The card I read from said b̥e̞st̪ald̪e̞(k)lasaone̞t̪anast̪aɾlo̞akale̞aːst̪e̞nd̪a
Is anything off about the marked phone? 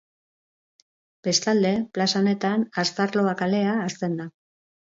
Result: yes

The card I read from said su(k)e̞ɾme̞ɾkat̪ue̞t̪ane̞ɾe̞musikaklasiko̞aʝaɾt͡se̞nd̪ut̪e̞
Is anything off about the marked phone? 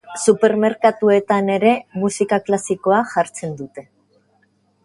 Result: yes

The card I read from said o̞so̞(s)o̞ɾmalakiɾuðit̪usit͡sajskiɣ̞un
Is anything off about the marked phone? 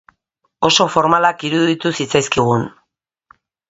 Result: yes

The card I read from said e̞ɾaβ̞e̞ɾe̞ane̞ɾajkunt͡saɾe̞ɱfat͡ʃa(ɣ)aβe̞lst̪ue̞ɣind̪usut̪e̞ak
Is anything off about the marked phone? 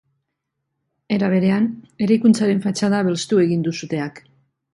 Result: yes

